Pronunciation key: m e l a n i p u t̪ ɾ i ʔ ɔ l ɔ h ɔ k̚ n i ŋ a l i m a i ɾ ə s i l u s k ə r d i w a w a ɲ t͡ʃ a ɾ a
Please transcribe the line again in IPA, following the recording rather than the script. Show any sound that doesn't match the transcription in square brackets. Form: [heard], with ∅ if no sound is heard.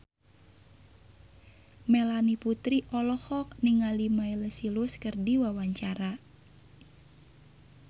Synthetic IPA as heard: m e l a n i p u t̪ ɾ i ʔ ɔ l ɔ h ɔ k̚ n i ŋ a l i m a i [l] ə s i l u s k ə r d i w a w a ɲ t͡ʃ a ɾ a